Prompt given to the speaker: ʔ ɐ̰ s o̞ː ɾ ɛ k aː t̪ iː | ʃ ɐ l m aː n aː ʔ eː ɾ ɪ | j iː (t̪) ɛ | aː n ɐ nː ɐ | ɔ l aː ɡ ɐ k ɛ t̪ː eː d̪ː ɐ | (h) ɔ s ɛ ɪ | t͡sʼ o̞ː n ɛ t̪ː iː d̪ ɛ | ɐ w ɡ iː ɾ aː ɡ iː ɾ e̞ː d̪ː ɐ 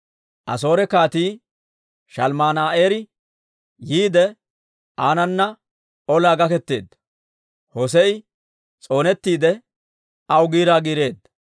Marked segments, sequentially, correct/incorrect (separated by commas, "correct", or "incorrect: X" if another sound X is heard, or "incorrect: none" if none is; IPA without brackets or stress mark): incorrect: d̪, correct